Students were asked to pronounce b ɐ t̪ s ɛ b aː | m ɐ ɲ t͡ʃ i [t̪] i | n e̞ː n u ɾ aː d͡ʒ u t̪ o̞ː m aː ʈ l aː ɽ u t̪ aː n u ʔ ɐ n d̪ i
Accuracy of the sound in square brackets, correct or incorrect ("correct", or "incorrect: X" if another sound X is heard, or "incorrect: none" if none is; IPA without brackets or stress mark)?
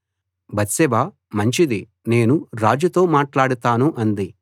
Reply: incorrect: d̪